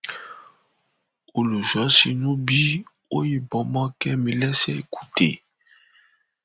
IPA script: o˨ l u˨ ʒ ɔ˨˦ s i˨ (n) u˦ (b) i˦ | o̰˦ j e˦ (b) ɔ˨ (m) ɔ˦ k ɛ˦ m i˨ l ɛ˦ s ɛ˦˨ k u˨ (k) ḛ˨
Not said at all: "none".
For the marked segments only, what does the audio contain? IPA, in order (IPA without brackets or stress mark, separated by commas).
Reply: n, b, b, m, t